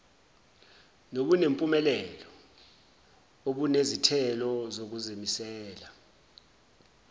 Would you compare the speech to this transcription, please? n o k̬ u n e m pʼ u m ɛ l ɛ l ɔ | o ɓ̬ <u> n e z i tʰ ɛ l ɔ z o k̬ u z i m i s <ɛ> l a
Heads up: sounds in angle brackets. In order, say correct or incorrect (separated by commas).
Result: correct, incorrect